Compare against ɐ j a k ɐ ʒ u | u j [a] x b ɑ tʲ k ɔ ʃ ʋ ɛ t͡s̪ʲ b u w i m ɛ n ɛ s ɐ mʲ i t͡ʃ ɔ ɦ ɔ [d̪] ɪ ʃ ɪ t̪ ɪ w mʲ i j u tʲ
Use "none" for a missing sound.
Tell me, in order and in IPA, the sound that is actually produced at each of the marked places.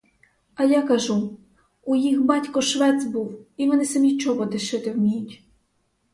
i, d̪

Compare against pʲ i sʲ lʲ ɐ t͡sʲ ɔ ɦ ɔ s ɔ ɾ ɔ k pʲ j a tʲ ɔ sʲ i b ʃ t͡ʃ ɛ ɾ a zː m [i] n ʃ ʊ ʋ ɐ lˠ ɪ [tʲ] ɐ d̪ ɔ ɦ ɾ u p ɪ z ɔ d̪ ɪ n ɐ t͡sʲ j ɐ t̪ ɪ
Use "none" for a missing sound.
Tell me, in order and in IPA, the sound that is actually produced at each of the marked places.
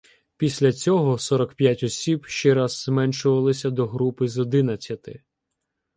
ɛ, sʲ

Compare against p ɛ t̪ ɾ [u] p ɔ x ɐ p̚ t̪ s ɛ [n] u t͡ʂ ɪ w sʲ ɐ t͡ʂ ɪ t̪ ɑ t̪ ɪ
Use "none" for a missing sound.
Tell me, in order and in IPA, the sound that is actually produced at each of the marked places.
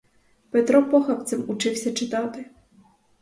ɔ, m

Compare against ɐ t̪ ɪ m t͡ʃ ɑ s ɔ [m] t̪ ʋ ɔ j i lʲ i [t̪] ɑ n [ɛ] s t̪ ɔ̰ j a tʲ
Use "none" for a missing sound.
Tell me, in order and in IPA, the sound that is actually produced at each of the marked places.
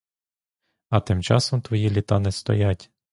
m, t̪, ɛ

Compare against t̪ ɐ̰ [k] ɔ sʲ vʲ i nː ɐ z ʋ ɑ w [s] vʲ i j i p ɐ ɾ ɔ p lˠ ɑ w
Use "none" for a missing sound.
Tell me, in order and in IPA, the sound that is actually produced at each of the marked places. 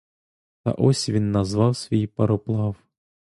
ʔ, s

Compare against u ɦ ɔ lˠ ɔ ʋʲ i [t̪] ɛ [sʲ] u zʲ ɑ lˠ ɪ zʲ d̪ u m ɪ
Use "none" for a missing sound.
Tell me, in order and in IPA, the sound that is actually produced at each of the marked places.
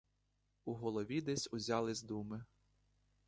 d̪, sʲ

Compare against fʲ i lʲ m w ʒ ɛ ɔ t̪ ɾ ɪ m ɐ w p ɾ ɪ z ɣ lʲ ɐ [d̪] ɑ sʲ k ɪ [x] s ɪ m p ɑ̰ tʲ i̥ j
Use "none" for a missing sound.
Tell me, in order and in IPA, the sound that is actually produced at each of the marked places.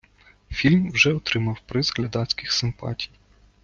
d̪, x

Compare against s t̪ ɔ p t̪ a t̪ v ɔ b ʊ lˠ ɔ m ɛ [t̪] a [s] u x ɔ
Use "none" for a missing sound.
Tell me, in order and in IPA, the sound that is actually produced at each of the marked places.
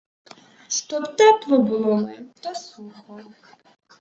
t̪, s

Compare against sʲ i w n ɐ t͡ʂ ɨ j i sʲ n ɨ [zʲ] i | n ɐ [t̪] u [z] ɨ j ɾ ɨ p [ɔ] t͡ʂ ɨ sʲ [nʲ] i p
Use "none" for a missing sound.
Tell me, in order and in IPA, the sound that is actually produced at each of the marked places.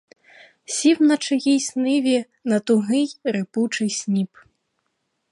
vʲ, t̪, ɣ, u, nʲ

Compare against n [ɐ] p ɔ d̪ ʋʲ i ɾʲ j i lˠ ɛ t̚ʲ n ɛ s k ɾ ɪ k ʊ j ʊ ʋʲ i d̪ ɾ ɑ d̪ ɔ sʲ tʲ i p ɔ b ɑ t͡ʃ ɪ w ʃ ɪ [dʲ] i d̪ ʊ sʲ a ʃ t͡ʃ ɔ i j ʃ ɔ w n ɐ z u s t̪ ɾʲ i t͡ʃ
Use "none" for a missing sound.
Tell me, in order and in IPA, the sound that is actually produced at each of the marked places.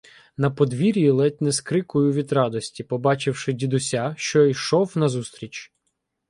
ɐ, dʲ

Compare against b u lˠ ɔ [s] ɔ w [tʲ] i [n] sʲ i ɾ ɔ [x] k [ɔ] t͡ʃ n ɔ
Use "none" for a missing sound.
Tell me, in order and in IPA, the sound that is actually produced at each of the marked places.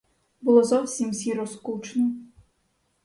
z, sʲ, m, s, u

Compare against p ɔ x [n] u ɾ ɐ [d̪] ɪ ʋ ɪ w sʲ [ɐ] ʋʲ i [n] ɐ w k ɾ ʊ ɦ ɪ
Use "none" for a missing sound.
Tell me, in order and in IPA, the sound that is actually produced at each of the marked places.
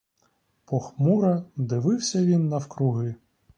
m, d̪, ɐ, nː

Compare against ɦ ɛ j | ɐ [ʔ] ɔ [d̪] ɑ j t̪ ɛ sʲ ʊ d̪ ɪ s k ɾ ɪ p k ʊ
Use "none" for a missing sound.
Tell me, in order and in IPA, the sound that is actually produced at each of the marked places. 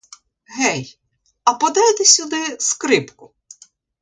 p, d̪

